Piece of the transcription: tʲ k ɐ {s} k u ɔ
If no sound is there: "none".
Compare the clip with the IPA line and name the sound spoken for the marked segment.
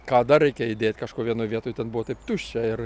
ʃ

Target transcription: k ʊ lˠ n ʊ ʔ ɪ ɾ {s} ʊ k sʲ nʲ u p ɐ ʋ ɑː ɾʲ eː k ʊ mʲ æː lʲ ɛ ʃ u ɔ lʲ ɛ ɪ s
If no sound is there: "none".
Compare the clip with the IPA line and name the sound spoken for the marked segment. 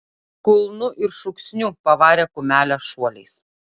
ʃ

